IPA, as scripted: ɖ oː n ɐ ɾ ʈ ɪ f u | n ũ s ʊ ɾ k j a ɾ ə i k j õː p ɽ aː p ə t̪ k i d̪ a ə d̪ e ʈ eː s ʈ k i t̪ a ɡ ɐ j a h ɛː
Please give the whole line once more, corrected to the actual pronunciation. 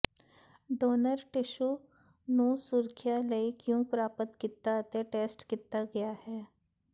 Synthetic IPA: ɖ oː n ə ɾ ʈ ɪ ʃ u | n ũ s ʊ ɾ kʰ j a l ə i k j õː p ɾ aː p ə t̪ k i t̪ a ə t̪ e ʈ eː s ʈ k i t̪ a ɡ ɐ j a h ɛː